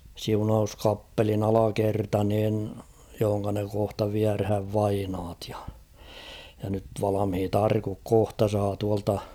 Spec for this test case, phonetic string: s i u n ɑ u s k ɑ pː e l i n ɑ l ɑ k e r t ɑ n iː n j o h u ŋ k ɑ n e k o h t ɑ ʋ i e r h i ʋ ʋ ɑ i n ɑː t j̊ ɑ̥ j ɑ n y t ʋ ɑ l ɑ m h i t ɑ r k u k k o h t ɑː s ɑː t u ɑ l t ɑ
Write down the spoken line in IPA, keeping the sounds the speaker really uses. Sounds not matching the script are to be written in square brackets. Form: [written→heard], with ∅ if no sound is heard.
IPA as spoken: s i u n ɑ u s k ɑ pː e l i n ɑ l ɑ k e r t ɑ n iː n j o h [u→o] ŋ k ɑ n e k o h t ɑ ʋ i [e→æ] r h [i→æ] ʋ ʋ ɑ i n ɑː t j̊ ɑ̥ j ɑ n y t ʋ ɑ l ɑ m h i t ɑ r k u k k o h t [ɑː→ɑ] s ɑː t u ɑ l t ɑ